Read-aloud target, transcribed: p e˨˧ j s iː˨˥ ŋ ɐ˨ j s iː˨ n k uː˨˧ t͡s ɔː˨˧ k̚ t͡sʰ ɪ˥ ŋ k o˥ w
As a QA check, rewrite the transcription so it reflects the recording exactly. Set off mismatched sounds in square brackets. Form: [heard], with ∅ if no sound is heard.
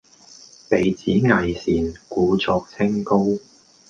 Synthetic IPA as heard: p e˨˧ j [t͡s] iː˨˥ ŋ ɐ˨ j s iː˨ n k uː˨˧ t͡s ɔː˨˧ k̚ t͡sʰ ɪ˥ ŋ k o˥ w